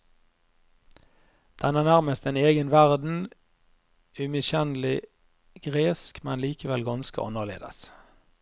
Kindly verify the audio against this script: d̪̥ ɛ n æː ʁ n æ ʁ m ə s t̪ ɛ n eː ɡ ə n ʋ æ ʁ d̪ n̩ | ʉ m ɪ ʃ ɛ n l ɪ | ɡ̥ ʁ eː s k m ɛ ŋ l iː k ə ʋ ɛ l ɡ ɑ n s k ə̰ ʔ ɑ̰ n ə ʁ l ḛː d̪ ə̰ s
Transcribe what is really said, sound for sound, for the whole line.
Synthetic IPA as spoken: d̪̥ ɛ n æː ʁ n æ ʁ m ə s t̪ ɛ n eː ɡ ə n ʋ æ ʁ d̪ n̩ | ʉ m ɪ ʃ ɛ n l ɪ | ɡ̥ ʁ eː s k m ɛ n l iː k ə ʋ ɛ l ɡ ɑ n s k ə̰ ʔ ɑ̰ n ə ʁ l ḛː d̪ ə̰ s

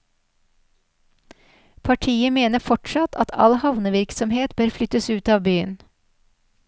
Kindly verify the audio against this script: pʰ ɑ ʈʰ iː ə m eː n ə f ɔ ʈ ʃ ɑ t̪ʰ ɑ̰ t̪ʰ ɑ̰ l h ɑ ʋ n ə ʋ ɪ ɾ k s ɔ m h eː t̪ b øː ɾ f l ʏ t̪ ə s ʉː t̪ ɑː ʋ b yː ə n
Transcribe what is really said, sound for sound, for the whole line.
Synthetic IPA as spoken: pʰ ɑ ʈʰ iː ə m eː n ə f ɔ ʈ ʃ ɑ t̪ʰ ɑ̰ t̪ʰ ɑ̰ l h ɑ ʋ n ə ʋ ɪ ɾ k s ɔ m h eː t̪ b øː ɾ f l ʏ t̪ ə s ʉː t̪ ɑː ʋ b yː ə n

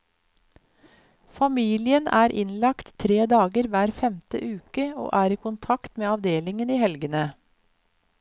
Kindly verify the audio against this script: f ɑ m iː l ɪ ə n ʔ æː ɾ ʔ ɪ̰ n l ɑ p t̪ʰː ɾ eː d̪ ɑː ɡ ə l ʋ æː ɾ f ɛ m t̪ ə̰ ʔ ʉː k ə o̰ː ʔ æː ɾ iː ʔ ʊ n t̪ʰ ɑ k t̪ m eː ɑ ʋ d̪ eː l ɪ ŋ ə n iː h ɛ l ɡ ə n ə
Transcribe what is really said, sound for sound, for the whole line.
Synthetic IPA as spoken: f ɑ m iː l ɪ ə n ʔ æː ɾ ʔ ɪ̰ n l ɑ k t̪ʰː ɾ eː d̪ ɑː ɡ ə ɾ ʋ æː ɾ f ɛ m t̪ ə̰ ʔ ʉː k ə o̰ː ʔ æː ɾ iː k ʊ n t̪ʰ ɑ k t̪ m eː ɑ ʋ d̪ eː l ɪ ŋ ə n iː h ɛ l ɡ ə n ə

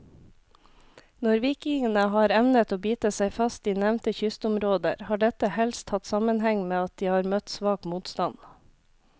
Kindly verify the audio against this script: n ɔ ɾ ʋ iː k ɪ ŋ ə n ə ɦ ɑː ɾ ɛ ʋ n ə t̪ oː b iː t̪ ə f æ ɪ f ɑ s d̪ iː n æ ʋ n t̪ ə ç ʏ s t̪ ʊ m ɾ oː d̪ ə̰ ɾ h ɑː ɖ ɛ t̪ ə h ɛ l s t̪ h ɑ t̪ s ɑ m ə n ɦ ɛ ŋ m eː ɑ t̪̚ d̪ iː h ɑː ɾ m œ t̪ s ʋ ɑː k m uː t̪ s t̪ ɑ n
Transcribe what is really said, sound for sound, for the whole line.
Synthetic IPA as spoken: n ɔ ɾ ʋ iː k ɪ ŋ ə n ə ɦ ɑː ɾ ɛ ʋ n ə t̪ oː b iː t̪ ə s æ ɪ f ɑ s t̪ iː n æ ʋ n t̪ ə ç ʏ s t̪ ʊ m ɾ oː d̪ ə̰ ɾ h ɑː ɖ ɛ t̪ ə h ɛ l s t̪ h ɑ t̪ s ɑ m ə n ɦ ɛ ŋ m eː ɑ t̪̚ d̪ iː h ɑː ɾ m œ t̪ s ʋ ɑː k m uː t̪ s t̪ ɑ n

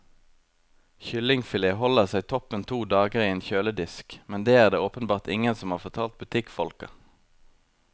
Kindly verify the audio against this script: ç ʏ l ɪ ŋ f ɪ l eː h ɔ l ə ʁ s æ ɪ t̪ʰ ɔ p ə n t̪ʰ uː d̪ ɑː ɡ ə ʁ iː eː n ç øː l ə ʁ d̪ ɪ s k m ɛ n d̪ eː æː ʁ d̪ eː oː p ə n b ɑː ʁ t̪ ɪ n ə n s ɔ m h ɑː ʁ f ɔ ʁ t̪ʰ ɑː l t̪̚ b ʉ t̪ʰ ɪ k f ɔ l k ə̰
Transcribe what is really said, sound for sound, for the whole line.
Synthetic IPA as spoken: ç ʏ l ɪ ŋ f ɪ l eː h ɔ l ə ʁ s æ ɪ t̪ʰ ɔ p ə n t̪ʰ uː d̪ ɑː ɡ ə ʁ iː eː n ç øː l ə d̪ ɪ s k m ɛ n d̪ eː æː ʁ d̪ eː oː p ə n b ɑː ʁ t̪ ɪ ŋ ə n s ɔ m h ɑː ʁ f ɔ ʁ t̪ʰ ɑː l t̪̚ b ʉ t̪ʰ ɪ k f ɔ l k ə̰

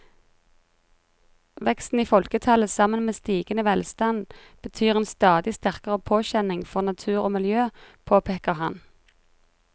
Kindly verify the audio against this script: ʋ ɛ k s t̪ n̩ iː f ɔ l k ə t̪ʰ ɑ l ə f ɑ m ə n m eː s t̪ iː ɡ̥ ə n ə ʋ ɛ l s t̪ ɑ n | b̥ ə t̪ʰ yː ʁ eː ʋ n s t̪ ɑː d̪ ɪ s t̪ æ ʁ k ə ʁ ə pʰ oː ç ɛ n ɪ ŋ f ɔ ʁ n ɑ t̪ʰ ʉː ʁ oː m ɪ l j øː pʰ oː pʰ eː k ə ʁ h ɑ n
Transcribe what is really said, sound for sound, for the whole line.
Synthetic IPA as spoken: ʋ ɛ k s t̪ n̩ iː f ɔ l k ə t̪ʰ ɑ l ə s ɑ m ə n m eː s t̪ iː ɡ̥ ə n ə ʋ ɛ l s t̪ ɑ n | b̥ ə t̪ʰ yː ʁ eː n s t̪ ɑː d̪ ɪ s t̪ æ ʁ k ə ʁ ə pʰ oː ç ɛ n ɪ ŋ f ɔ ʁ n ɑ t̪ʰ ʉː ʁ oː m ɪ l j øː pʰ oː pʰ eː k ə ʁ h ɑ n

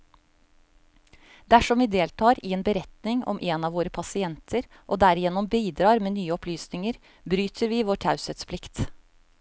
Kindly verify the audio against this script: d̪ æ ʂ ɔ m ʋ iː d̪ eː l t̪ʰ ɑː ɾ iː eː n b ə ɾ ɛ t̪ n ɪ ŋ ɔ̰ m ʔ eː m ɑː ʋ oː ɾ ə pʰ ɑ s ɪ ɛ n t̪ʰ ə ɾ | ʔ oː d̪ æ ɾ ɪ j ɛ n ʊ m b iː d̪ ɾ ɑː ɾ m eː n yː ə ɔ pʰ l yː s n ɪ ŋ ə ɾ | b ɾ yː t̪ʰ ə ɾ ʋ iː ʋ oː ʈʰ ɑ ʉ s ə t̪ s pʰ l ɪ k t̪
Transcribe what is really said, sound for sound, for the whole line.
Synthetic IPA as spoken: d̪ æ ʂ ɔ m ʋ iː d̪ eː l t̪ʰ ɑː ɾ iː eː n b ə ɾ ɛ t̪ n ɪ ŋ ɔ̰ m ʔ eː n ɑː ʋ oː ɾ ə pʰ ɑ s ɪ ɛ n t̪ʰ ə ɾ | ʔ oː d̪ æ ɾ ɪ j ɛ n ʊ m b iː d̪ ɾ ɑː ɾ m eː n yː ə ɔ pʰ l yː s n ɪ ŋ ə ɾ | b ɾ yː t̪ʰ ə ɾ ʋ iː ʋ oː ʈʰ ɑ ʉ s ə t̪ s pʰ l ɪ k t̪

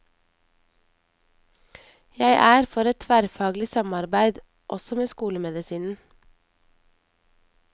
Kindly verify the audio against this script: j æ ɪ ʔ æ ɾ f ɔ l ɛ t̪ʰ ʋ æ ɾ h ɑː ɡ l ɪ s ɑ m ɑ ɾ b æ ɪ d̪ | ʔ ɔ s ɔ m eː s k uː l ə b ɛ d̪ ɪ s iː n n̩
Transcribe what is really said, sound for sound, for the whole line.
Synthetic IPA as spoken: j æ ɪ ʔ æː ɾ f ɔ ɾ ɛ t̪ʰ ʋ æ ɾ f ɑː ɡ l ɪ s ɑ m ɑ ɾ b æ ɪ d̪ | ʔ ɔ s ɔ m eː s k uː l ə m ɛ d̪ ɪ s iː n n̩

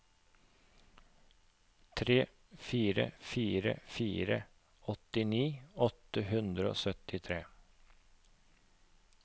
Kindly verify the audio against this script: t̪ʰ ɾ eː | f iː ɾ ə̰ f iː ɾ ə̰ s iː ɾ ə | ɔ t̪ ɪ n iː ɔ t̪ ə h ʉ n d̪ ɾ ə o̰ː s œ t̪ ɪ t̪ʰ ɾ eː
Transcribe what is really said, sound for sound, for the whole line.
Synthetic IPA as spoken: t̪ʰ ɾ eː | f iː ɾ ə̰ f iː ɾ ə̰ f iː ɾ ə | ɔ t̪ ɪ n iː ɔ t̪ ə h ʉ n d̪ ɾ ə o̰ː s œ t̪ ɪ t̪ʰ ɾ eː

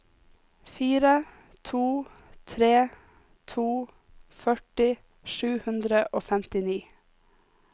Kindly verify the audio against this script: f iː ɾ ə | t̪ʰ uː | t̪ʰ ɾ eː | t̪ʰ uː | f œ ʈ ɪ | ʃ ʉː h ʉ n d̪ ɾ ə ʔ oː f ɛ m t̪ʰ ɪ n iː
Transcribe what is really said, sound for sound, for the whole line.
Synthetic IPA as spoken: f iː ɾ ə | t̪ʰ uː | t̪ʰ ɾ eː | t̪ʰ uː | f œ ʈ ɪ | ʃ ʉː h ʉ n d̪ ɾ ə ʔ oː f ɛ m t̪ ɪ n iː

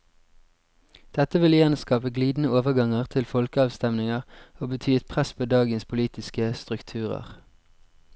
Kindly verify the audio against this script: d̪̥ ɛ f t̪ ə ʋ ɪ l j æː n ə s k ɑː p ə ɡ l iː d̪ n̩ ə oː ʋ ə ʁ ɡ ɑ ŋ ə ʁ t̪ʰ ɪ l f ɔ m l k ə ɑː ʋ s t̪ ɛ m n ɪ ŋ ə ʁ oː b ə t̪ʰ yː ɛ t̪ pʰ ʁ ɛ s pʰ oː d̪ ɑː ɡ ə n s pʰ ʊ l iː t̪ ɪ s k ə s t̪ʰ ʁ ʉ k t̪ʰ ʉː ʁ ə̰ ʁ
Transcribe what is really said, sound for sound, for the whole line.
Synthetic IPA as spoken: d̪̥ ɛ t̪ ə ʋ ɪ l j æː n ə s k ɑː p ə ɡ l iː d̪ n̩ ə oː ʋ ə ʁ ɡ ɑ ŋ ə ʁ t̪ʰ ɪ l f ɔ l k ə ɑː ʋ s t̪ ɛ m n ɪ ŋ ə ʁ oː b ə t̪ʰ yː ɛ t̪ pʰ ʁ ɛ s pʰ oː d̪ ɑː ɡ ə n s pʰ ʊ l iː t̪ ɪ s k ə s t̪ ʁ ʉ k t̪ʰ ʉː ʁ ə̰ ʁ

